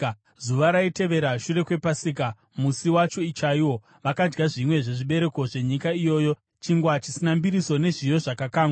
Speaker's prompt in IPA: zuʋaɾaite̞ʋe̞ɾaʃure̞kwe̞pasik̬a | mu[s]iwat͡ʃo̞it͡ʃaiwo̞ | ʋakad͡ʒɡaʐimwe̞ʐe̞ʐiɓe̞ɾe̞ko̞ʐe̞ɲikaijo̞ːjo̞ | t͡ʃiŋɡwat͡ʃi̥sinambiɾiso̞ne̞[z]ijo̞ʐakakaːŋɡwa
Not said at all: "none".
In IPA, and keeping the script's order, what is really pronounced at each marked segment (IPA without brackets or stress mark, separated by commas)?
s, ʐ